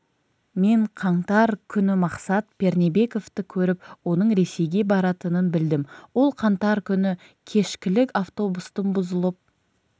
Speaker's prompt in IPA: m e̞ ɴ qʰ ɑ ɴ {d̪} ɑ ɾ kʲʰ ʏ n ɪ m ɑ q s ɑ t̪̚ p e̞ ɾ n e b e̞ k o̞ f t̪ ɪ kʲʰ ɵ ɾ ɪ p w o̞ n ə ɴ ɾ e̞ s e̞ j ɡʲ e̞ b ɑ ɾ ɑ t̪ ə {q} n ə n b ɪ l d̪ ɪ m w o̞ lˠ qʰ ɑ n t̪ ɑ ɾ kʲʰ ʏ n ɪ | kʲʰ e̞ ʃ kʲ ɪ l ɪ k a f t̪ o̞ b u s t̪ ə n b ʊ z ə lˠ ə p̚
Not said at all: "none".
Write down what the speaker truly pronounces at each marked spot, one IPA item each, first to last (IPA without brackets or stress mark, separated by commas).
t̪, none